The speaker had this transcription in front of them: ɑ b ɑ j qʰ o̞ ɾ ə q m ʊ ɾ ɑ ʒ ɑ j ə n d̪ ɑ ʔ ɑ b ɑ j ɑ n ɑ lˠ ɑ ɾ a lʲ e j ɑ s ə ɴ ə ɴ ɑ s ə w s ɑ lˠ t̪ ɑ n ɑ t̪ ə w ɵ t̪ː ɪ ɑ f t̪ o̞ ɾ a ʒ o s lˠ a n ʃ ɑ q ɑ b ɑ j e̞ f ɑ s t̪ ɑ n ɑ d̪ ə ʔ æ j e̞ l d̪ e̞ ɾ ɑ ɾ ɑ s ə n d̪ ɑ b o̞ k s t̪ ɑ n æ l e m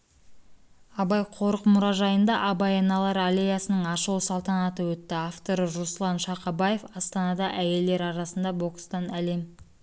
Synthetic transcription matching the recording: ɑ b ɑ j qʰ o̞ ɾ ə q m ʊ ɾ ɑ ʒ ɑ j ə n d̪ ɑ ʔ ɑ b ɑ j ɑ n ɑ lˠ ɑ ɾ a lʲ e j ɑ s ə n ə ɴ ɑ ʃ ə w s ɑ lˠ t̪ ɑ n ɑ t̪ ə w ɵ t̪ː ɪ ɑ f t̪ o̞ ɾ ə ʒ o s lˠ ɑ n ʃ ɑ q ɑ b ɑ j e̞ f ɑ s t̪ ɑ n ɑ d̪ ɑ ʔ æ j e̞ l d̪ e̞ ɾ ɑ ɾ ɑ s ə n d̪ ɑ b o̞ k s t̪ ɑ n æ l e m